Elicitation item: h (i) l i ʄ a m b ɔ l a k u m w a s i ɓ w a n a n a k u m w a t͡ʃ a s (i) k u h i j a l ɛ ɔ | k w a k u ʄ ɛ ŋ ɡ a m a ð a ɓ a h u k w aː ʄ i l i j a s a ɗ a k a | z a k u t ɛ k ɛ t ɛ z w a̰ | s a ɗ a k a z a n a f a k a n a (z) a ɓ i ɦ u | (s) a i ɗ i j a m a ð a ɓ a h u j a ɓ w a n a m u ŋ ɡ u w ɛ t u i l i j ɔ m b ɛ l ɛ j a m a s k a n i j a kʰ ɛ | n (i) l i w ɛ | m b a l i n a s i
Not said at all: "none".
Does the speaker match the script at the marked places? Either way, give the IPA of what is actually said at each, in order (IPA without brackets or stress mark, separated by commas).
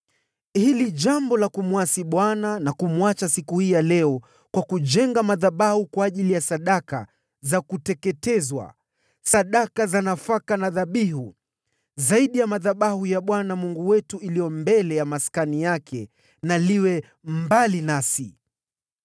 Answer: i, i, ð, z, a